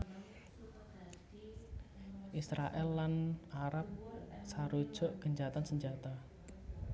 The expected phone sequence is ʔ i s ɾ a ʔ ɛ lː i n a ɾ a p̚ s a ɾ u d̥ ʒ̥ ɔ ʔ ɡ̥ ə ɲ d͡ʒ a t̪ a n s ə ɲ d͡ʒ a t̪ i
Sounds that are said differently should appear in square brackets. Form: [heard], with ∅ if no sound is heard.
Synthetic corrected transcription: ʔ i s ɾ a ʔ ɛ lː [a] n a ɾ a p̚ s a ɾ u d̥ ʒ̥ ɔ ʔ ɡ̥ ə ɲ d͡ʒ a t̪ a n s ə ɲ d͡ʒ a t̪ [a]

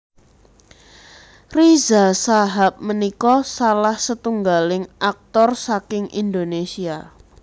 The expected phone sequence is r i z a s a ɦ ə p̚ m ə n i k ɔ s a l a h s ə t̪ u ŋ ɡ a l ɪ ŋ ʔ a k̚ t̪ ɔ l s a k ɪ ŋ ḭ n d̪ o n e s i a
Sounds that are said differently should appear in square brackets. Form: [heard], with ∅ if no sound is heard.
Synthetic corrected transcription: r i z a s a ɦ [a] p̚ m ə n i k ɔ s a l a h s ə t̪ u ŋ ɡ a l ɪ ŋ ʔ a k̚ t̪ ɔ [r] s a k ɪ ŋ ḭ n d̪ o n e s i a

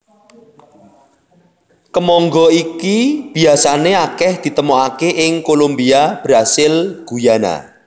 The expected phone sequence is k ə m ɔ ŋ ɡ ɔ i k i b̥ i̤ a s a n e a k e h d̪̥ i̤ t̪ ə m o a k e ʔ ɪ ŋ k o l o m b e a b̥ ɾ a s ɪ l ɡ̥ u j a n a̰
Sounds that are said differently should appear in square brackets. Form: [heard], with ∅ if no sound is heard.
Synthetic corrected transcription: k ə m ɔ ŋ ɡ ɔ i k i b̥ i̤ a s a n e a k [ɛ] h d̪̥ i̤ t̪ ə m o a k e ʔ ɪ ŋ k o l o m b [i] a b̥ ɾ a s ɪ l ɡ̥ u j a n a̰

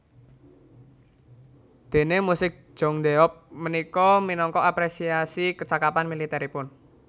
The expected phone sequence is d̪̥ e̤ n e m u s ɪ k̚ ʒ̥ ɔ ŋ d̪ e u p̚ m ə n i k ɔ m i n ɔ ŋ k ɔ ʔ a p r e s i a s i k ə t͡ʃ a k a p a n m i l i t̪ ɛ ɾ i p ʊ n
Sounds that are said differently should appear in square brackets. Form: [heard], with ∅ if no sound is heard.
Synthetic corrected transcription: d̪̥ e̤ n e m u s ɪ k̚ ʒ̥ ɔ ŋ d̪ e [ɔ] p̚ m ə n i k ɔ m i n ɔ ŋ k ɔ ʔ a p [ɾ] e s i a s i k ə t͡ʃ a k a p a n m i l i t̪ ɛ ɾ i p ʊ n

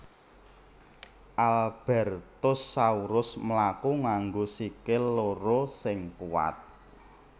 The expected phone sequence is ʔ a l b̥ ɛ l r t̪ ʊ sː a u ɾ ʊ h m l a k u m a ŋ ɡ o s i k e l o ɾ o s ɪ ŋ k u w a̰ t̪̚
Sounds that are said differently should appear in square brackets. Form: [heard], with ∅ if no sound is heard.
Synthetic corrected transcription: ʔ a l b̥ ɛ [∅] r t̪ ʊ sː a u ɾ ʊ [s] m l a k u [ŋ] a ŋ ɡ o s i k e l o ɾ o s ɪ ŋ k u w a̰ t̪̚

